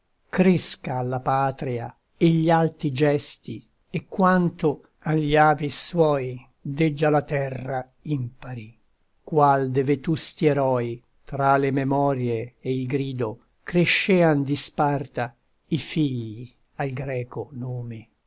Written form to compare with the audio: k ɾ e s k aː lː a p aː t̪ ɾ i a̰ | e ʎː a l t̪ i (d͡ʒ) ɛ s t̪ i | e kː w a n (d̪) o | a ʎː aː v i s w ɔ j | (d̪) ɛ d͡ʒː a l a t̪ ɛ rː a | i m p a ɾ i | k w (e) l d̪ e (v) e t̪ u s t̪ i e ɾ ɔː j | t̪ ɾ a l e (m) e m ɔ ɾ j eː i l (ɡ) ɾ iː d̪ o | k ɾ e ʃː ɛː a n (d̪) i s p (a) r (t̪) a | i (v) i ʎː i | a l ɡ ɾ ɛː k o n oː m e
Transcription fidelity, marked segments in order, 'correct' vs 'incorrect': correct, incorrect: t̪, correct, incorrect: a, correct, correct, correct, correct, correct, correct, incorrect: f

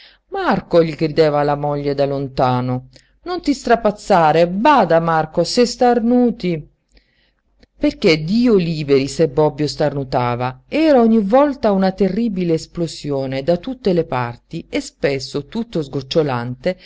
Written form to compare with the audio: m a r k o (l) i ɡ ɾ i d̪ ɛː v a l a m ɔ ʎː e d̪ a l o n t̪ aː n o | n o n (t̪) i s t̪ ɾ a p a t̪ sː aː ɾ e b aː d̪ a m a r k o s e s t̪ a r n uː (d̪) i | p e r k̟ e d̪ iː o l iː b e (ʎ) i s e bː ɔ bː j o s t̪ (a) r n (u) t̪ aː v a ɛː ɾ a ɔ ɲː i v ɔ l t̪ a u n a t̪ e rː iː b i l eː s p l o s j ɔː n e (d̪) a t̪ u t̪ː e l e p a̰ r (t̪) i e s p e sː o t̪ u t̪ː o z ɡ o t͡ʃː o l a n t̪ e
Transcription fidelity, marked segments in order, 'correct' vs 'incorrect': incorrect: ʎ, correct, incorrect: t̪, incorrect: ɾ, correct, correct, correct, correct

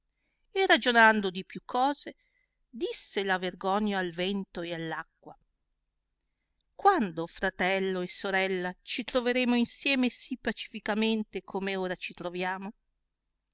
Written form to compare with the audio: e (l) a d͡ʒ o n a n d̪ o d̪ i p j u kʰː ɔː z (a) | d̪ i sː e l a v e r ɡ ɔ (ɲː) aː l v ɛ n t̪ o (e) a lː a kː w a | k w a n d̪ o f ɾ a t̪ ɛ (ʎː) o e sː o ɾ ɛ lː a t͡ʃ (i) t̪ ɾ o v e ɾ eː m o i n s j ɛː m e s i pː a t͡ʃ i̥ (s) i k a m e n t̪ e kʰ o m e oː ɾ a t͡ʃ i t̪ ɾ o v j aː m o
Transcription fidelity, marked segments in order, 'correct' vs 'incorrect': incorrect: r, incorrect: e, correct, correct, incorrect: lː, correct, incorrect: f

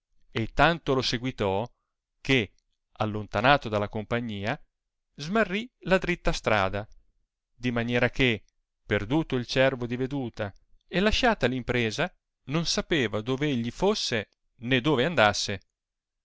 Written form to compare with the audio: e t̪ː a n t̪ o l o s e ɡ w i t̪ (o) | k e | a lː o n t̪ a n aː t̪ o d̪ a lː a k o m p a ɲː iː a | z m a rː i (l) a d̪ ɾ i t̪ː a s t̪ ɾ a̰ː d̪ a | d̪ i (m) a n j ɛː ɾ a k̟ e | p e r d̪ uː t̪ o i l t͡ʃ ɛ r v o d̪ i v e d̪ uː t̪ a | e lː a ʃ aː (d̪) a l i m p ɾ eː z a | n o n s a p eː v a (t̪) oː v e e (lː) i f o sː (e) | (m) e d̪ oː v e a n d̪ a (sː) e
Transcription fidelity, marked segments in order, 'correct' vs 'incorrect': incorrect: ɔ, correct, correct, incorrect: t̪, incorrect: d̪, incorrect: ʎː, correct, incorrect: n, correct

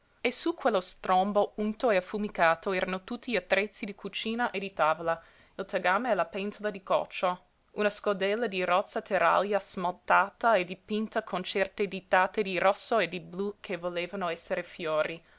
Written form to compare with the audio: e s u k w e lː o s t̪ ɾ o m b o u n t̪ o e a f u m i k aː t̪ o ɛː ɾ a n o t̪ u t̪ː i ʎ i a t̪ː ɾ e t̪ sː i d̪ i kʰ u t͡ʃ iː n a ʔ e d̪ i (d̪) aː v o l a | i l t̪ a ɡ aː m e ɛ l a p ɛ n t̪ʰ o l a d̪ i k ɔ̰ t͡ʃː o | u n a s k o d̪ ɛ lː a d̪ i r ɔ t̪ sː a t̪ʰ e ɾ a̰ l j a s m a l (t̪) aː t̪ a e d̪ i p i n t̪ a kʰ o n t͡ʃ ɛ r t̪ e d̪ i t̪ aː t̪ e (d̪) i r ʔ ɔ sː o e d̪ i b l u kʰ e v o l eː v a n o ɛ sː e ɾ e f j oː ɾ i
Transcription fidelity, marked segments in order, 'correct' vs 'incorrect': incorrect: t̪, correct, correct

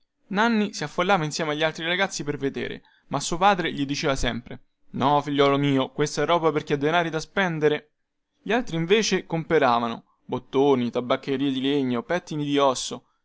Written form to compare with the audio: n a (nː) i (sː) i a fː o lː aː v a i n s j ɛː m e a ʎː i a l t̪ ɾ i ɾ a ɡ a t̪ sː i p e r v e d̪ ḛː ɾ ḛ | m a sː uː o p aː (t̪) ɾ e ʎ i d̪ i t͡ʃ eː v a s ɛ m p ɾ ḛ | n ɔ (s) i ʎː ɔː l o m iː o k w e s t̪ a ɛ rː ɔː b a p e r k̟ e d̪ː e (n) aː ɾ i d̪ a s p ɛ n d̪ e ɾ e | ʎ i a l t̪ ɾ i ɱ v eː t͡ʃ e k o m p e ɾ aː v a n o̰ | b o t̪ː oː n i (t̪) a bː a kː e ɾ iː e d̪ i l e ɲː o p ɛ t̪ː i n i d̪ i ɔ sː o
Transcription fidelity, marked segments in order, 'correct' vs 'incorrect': correct, incorrect: s, incorrect: d̪, incorrect: f, correct, correct

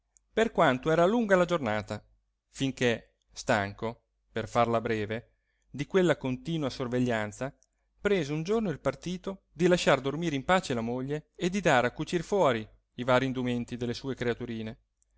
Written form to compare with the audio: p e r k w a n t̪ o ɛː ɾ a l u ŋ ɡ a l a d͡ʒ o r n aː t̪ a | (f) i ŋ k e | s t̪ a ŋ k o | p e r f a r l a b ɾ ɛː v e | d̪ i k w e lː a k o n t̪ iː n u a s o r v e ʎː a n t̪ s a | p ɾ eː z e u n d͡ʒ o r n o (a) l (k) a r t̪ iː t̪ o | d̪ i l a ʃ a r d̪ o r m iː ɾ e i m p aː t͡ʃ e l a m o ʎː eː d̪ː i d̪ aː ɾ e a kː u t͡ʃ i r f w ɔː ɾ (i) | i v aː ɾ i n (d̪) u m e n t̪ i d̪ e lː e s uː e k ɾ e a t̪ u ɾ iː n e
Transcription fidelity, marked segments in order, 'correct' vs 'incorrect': correct, incorrect: i, incorrect: p, correct, correct

